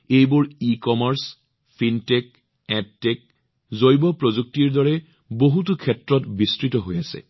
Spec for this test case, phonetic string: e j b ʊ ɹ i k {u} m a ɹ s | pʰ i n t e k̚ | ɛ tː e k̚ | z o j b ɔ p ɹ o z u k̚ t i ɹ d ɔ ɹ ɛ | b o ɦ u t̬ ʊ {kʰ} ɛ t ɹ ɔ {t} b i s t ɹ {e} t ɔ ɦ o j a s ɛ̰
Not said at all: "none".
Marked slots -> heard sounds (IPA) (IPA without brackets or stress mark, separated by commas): ɔ, kʰ, t, i